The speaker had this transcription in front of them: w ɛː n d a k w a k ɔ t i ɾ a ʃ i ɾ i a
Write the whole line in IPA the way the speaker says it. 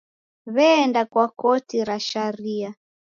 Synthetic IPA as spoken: β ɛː n d a k w a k ɔ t i ɾ a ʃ a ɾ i a